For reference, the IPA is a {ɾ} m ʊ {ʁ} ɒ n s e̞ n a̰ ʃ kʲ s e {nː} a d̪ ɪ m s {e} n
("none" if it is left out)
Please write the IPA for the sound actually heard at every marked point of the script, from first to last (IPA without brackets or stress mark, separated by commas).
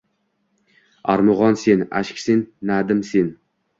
ɾ, ʁ, nː, e